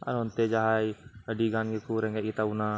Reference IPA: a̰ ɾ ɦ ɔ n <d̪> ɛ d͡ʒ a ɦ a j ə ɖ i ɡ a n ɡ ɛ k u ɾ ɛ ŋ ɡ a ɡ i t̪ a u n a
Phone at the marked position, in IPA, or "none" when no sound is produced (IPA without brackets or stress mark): t̪